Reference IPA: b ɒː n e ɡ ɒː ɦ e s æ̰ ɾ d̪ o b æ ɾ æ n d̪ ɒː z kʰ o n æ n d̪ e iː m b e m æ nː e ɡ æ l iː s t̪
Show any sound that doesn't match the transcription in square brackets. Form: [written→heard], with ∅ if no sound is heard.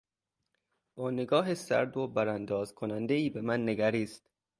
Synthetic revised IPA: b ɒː n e ɡ ɒː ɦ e s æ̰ ɾ d̪ o b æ ɾ æ n d̪ ɒː z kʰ o n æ n d̪ e iː [m→∅] b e m æ nː e ɡ æ [l→ɾ] iː s t̪